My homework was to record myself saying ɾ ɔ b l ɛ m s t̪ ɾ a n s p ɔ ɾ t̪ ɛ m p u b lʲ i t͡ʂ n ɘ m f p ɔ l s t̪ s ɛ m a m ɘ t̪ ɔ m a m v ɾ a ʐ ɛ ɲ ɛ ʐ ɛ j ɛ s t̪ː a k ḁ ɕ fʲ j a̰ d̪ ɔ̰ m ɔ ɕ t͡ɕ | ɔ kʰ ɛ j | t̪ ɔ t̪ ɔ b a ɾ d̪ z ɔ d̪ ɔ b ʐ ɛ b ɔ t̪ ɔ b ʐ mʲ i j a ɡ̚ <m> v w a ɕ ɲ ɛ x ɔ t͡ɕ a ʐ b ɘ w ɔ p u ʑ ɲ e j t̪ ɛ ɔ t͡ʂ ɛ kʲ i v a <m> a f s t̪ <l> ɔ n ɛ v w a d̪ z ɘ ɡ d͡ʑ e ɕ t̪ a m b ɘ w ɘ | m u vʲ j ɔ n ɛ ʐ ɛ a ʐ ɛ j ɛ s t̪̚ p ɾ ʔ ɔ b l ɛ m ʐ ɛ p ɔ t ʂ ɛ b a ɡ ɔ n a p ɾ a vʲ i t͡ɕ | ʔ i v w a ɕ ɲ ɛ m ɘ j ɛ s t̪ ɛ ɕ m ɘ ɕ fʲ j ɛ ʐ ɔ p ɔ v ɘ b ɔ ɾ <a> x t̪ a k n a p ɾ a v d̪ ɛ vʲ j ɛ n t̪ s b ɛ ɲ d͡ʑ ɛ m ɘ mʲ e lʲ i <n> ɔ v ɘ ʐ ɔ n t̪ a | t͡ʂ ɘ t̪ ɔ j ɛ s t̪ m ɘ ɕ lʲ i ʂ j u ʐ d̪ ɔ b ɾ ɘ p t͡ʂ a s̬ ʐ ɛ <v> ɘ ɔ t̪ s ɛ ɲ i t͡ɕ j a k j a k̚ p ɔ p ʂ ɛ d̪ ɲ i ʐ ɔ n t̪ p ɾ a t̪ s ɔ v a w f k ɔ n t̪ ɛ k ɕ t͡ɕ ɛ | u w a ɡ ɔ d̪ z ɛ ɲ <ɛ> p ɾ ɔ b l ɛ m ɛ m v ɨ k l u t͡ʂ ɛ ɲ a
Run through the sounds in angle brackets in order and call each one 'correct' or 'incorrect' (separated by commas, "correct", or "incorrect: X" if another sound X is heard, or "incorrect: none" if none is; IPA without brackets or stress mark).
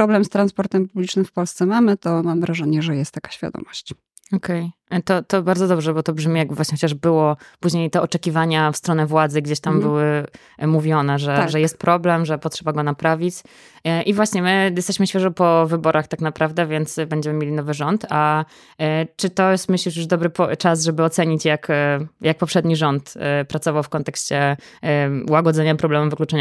incorrect: b, incorrect: ɲ, incorrect: ɾ, correct, correct, incorrect: b, incorrect: a